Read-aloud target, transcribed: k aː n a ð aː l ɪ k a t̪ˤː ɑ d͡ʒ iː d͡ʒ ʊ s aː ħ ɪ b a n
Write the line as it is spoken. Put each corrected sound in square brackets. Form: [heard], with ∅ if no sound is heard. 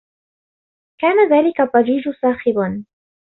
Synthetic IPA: k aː n a ð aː l ɪ k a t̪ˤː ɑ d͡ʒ iː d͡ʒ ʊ s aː [x] ɪ b a n